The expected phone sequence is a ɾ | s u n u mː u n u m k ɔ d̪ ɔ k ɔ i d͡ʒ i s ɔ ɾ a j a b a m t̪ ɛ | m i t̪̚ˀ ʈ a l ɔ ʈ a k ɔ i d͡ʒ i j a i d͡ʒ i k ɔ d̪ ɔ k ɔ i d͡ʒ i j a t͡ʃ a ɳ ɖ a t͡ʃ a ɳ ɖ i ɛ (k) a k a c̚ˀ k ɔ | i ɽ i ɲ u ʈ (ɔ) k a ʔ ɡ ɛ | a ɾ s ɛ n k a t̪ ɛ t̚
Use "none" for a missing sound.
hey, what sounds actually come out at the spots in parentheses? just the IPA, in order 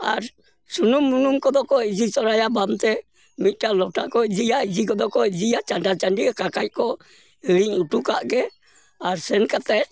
k, u

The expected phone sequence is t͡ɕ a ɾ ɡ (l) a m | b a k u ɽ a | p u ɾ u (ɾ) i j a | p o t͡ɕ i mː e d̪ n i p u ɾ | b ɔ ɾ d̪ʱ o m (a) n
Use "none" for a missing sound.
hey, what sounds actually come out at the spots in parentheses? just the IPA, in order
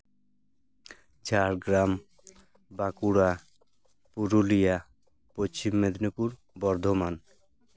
ɾ, l, a

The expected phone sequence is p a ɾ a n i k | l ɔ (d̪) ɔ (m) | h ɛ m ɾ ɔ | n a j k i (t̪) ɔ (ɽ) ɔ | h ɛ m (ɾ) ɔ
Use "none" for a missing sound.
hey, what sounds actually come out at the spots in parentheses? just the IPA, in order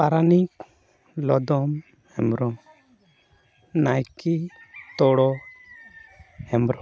d̪, m, t̪, ɽ, ɾ

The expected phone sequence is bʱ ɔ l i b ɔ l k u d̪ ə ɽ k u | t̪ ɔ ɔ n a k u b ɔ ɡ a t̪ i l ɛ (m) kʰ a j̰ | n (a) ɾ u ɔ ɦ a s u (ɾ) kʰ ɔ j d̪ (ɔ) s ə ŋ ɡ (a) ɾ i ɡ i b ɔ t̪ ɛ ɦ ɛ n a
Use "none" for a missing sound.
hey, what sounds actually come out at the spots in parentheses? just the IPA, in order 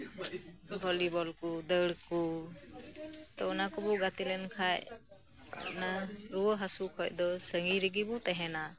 n, a, none, ɔ, i

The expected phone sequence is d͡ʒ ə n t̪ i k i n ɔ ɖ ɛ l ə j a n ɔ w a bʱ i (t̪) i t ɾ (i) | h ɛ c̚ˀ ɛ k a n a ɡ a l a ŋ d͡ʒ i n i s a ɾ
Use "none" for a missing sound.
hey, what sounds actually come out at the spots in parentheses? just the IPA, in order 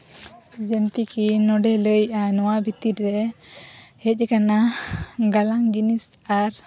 t̪, ɛ

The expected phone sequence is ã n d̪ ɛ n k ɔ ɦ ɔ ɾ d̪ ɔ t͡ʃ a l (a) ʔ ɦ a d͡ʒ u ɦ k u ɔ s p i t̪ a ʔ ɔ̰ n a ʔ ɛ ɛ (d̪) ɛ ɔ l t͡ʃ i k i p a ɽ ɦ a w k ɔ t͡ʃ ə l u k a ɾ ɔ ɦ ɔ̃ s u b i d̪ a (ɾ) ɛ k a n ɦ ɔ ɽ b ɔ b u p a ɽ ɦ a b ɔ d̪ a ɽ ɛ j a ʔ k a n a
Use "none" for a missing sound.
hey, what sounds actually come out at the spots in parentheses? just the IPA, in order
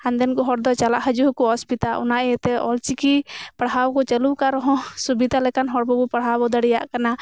a, t̪, l

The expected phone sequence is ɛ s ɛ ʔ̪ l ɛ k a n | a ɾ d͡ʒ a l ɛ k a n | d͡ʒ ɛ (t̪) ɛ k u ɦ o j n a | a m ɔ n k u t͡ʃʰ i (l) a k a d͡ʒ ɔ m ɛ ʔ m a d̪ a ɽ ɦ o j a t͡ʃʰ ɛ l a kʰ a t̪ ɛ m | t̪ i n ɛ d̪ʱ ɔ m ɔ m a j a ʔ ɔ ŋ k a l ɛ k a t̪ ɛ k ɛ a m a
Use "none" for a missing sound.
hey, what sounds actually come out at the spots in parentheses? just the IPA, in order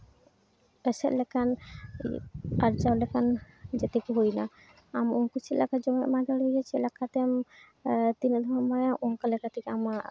t̪, l

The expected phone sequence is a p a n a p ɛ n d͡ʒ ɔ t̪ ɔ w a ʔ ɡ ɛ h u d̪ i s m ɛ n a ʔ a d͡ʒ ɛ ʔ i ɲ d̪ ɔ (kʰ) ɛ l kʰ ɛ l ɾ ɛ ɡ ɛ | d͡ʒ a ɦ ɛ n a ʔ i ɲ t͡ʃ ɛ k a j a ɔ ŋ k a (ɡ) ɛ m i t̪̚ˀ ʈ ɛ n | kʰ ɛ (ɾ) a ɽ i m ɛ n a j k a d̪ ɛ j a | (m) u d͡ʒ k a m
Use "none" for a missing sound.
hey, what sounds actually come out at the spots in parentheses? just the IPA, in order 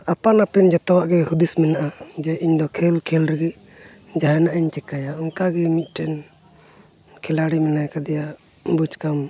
kʰ, ɡ, l, b

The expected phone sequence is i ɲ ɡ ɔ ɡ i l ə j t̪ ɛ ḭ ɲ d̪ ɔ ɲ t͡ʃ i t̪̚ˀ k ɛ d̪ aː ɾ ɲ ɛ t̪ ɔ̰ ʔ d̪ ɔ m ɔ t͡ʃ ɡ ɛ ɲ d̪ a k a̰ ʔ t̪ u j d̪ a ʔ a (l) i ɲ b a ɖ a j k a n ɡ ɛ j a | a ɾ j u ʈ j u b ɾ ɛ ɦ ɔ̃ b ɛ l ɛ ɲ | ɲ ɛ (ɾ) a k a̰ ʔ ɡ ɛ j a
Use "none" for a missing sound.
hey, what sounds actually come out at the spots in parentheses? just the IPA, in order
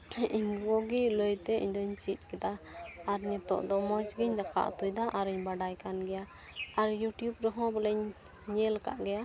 ɾ, l

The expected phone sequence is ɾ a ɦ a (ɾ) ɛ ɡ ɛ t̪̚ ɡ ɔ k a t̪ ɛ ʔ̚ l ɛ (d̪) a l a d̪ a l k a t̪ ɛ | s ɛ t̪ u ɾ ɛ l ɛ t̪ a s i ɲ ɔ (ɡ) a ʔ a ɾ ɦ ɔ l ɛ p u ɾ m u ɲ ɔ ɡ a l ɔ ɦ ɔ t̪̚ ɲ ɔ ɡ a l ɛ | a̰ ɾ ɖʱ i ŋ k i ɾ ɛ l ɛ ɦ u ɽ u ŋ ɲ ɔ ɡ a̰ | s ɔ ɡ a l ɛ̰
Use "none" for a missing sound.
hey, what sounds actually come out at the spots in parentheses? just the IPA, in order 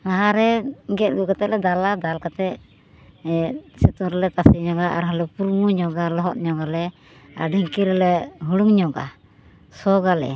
ɾ, d̪, ɡ

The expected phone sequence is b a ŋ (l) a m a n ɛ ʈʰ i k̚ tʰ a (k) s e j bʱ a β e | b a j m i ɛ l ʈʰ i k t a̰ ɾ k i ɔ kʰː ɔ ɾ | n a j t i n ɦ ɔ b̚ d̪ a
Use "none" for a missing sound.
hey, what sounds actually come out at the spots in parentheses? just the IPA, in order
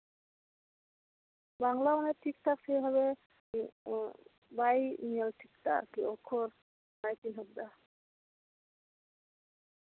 l, k

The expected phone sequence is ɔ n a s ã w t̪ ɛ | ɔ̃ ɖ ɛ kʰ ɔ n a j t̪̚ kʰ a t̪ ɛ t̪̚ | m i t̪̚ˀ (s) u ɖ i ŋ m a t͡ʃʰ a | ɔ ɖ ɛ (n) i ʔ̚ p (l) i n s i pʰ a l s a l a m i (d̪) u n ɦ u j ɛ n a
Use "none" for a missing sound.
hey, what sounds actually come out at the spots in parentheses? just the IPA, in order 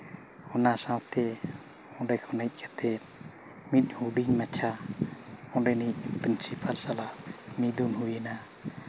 h, n, ɾ, d̪

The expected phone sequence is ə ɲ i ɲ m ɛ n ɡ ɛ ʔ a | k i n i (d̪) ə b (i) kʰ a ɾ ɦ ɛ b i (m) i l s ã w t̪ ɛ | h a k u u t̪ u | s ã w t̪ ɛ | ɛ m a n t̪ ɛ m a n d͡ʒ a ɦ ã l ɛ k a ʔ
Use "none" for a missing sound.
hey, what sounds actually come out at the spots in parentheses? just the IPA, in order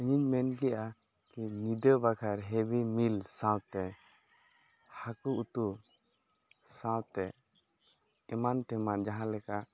d̪, a, m

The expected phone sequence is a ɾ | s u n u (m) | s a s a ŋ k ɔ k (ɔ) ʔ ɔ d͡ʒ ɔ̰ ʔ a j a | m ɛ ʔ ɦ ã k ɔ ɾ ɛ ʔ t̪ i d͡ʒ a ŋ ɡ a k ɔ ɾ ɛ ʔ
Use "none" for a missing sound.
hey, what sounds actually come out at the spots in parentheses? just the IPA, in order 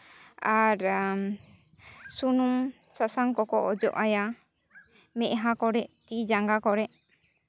m, ɔ

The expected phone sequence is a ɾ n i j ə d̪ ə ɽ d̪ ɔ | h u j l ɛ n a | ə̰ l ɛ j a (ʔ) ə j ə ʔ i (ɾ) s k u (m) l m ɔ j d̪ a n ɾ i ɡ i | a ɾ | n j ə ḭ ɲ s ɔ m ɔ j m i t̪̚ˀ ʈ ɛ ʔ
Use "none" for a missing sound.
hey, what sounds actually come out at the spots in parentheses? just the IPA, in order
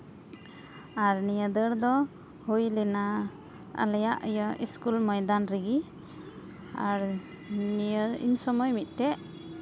ʔ, none, none

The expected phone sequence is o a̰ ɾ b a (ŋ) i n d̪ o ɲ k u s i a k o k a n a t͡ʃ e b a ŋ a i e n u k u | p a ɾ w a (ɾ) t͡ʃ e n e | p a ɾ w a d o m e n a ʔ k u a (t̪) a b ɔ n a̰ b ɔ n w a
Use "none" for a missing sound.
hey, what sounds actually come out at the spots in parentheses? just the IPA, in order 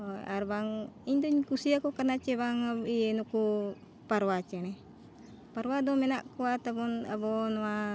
ŋ, none, t̪

